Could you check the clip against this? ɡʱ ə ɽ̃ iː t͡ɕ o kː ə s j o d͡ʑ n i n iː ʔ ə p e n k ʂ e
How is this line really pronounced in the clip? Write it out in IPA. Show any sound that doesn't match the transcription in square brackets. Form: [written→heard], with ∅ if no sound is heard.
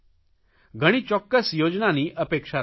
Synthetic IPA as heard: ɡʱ ə ɽ̃ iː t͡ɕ [o→ɔ] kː ə s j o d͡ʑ n [i→a] n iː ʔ ə p e [n→∅] k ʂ [e→a]